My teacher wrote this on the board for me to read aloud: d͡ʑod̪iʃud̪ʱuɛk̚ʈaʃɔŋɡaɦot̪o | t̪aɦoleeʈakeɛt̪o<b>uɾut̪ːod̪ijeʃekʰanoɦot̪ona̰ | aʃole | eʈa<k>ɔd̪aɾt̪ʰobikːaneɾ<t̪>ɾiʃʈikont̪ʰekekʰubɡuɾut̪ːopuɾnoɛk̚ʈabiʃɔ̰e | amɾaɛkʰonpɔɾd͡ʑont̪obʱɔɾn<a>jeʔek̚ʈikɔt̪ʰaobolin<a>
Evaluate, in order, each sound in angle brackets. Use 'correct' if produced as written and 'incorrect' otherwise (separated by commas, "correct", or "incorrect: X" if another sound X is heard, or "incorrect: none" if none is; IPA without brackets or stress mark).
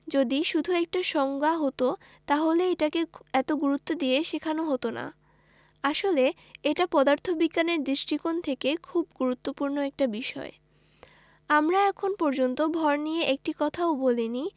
incorrect: ɡ, incorrect: p, incorrect: d̪, incorrect: i, incorrect: i